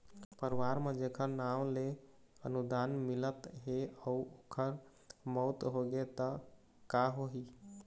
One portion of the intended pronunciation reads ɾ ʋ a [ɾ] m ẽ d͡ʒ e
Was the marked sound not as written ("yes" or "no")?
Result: no